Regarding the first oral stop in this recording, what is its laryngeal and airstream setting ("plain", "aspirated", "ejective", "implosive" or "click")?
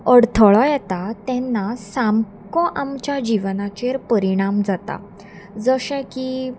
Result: aspirated